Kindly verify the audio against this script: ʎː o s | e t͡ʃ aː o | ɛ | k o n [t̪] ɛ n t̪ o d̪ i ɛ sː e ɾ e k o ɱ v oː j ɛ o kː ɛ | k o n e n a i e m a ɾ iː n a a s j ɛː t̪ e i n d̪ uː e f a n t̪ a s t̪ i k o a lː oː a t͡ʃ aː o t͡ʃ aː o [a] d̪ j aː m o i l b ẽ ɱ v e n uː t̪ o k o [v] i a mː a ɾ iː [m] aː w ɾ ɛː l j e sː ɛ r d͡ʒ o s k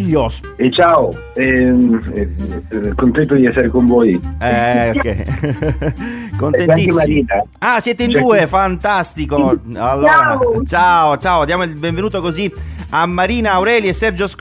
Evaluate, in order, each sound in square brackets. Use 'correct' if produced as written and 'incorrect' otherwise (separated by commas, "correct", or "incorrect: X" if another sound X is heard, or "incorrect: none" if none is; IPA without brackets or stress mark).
correct, correct, incorrect: z, incorrect: n